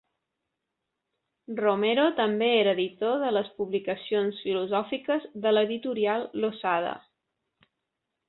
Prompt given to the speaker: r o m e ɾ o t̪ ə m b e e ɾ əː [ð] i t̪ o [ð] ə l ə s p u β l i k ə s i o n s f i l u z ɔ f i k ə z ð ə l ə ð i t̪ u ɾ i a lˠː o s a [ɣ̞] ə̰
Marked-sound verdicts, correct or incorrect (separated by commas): correct, correct, incorrect